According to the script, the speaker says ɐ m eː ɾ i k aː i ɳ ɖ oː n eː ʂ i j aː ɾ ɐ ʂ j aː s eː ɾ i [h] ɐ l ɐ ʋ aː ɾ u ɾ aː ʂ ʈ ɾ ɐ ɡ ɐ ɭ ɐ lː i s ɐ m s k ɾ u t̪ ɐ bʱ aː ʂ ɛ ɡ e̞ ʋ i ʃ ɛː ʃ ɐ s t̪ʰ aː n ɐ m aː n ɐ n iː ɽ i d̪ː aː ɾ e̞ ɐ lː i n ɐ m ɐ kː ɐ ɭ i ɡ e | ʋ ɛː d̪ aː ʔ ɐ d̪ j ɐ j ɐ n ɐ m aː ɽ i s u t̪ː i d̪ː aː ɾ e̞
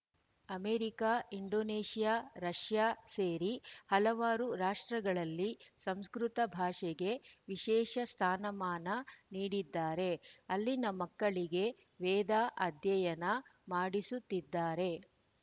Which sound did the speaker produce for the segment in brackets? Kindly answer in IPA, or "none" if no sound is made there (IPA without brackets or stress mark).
h